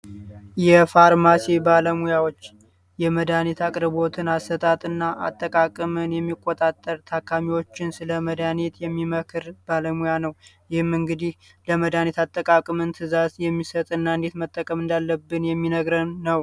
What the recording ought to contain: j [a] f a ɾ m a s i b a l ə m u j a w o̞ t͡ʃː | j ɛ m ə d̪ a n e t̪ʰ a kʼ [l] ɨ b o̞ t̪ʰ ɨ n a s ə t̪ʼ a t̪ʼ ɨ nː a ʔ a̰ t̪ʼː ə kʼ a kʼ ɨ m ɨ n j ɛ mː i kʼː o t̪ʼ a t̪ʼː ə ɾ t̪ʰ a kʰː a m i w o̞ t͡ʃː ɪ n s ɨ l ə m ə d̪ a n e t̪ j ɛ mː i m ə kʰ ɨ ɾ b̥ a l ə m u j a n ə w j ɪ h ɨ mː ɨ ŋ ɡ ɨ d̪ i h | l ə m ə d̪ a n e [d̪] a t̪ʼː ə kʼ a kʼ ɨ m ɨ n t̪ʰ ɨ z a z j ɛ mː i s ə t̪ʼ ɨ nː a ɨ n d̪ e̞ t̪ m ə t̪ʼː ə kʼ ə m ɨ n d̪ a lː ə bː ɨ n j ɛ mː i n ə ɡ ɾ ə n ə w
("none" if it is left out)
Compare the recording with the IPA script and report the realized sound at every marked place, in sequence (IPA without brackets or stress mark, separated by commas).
ɛ, ɾ, t̪